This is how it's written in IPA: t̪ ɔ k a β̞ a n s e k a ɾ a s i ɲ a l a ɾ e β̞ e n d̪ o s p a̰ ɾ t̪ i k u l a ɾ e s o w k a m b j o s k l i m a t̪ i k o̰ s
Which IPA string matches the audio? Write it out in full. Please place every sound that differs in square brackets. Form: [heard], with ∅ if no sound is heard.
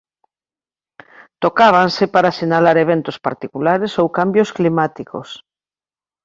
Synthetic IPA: t̪ [o] k a β̞ a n s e [p] a ɾ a s i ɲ a l a ɾ e β̞ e n [t̪] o s p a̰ ɾ t̪ i k u l a ɾ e s o w k a m b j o s k l i m a t̪ i k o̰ s